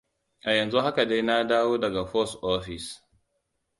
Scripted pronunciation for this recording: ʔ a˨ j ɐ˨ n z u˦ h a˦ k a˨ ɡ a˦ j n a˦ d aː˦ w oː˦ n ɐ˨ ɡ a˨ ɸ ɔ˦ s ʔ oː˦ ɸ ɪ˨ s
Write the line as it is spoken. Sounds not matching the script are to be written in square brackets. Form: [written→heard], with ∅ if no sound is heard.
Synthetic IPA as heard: ʔ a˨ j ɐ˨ n z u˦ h a˦ k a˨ [ɡ→d] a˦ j n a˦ d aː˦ w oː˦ [n→d] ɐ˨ ɡ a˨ ɸ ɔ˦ s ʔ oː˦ ɸ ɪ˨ s